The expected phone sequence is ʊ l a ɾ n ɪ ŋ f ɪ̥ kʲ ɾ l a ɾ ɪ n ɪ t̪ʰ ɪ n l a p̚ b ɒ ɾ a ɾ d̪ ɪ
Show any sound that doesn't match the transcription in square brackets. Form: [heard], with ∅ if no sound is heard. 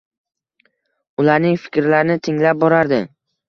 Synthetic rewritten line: ʊ l a ɾ n ɪ ŋ f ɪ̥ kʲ ɾ l a ɾ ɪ n ɪ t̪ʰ ɪ [ŋ] l a p̚ b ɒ ɾ a ɾ d̪ ɪ